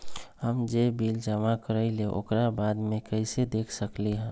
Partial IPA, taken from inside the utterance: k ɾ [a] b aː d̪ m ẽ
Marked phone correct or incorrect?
correct